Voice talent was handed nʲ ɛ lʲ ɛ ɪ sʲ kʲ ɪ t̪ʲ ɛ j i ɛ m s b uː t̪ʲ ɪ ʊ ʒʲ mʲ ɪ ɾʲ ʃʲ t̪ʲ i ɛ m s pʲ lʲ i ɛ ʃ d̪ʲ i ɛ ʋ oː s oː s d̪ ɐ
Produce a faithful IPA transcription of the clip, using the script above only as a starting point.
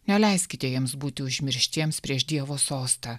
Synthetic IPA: nʲ ɛ lʲ ɛ ɪ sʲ kʲ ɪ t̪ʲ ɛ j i ɛ m s b uː t̪ʲ ɪ ʊ ʒʲ mʲ ɪ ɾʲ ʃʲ t̪ʲ i ɛ m s pʲ ɾʲ i ɛ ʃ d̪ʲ i ɛ ʋ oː s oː s t̪ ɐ